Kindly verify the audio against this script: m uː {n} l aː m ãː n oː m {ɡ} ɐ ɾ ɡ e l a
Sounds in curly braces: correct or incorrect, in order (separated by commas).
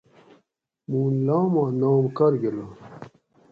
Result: correct, incorrect